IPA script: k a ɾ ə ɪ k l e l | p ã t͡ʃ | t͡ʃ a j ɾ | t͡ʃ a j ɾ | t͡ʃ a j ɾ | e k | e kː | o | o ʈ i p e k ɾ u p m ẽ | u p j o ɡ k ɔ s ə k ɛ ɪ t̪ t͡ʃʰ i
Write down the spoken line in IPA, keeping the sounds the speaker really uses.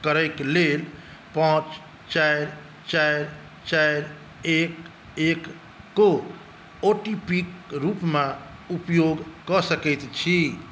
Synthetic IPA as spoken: k ə ɾ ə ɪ k l e l | p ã t͡ʃ | t͡ʃ a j ɾ | t͡ʃ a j ɾ | t͡ʃ a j ɾ | e k | e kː | o | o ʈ i p i k ɾ u p m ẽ | u p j o ɡ k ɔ s ə k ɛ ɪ t̪ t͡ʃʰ i